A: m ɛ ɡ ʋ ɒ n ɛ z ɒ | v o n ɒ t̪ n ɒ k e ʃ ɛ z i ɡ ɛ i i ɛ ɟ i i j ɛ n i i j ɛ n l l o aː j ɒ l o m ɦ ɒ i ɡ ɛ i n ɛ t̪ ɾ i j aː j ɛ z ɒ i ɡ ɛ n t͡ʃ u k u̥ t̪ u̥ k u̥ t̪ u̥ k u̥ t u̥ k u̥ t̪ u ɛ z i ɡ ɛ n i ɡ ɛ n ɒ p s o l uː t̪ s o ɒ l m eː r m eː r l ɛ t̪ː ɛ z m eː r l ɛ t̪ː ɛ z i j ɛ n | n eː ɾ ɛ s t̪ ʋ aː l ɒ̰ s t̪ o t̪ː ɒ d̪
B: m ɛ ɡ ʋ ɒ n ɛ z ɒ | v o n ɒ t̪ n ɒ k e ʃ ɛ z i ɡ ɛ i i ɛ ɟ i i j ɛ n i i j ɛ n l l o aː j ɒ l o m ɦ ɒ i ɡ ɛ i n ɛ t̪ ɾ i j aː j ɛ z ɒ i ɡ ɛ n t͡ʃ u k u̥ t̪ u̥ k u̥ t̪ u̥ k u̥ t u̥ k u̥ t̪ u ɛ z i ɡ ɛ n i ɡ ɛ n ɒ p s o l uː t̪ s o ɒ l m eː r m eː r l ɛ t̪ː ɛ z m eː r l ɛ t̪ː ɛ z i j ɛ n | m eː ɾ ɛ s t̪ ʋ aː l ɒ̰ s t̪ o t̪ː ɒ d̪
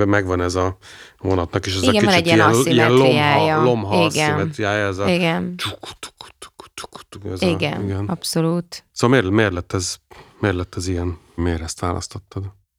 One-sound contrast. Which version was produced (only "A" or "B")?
B